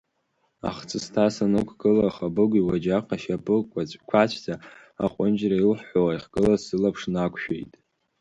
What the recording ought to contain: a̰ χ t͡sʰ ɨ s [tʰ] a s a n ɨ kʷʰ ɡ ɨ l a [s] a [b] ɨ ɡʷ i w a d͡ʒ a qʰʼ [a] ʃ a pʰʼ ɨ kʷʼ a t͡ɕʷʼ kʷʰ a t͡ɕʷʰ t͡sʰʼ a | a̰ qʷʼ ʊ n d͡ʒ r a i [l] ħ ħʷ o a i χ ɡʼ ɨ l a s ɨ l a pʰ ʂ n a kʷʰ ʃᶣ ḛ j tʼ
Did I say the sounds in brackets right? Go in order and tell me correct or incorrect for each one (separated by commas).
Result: correct, incorrect, correct, correct, correct